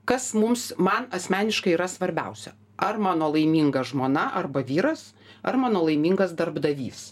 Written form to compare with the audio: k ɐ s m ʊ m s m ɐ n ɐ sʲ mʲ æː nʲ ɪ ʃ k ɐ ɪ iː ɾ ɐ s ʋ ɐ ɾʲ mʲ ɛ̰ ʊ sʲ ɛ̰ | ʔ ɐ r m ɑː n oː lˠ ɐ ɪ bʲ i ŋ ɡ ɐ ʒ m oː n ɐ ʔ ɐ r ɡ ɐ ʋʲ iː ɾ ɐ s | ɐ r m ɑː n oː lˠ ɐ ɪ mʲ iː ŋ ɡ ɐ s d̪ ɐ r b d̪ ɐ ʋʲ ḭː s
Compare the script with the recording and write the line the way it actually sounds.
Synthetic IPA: k ɐ s m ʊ m s m ɐ n ɐ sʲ mʲ æː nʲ ɪ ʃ k ɐ ɪ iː ɾ ɐ s ʋ ɐ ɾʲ bʲ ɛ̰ ʊ sʲ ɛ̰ | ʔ ɐ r m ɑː n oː lˠ ɐ ɪ mʲ i ŋ ɡ ɐ ʒ m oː n ɐ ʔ ɐ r b ɐ ʋʲ iː ɾ ɐ s | ɐ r m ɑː n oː lˠ ɐ ɪ mʲ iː ŋ ɡ ɐ s d̪ ɐ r b d̪ ɐ ʋʲ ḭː s